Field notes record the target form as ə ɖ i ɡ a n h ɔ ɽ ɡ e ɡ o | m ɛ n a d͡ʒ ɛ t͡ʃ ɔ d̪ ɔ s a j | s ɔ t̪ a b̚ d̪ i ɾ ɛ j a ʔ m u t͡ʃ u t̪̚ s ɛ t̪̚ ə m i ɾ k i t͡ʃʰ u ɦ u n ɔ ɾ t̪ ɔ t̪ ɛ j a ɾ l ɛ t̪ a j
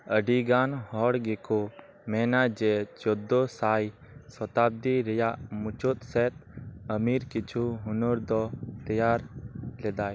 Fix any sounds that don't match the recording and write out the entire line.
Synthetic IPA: ə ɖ i ɡ a n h ɔ ɽ ɡ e k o | m ɛ n a d͡ʒ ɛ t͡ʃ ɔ d̪ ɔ s a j | s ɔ t̪ a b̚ d̪ i ɾ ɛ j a ʔ m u t͡ʃ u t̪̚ s ɛ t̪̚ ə m i ɾ k i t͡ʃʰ u ɦ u n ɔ ɾ d̪ ɔ t̪ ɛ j a ɾ l ɛ d̪ a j